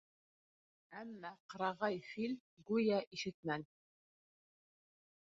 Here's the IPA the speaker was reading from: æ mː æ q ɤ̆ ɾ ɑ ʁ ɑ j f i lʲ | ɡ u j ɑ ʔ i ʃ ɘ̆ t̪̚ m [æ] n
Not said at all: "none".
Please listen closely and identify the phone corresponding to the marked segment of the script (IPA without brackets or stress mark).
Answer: æ